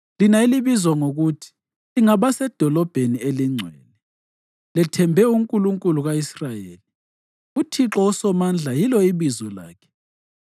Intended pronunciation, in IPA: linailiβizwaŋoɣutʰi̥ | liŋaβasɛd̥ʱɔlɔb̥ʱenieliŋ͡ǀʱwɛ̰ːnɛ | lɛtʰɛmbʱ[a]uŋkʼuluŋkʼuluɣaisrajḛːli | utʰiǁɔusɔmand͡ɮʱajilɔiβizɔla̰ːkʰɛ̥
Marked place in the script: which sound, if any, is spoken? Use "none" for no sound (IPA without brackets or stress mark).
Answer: ɛ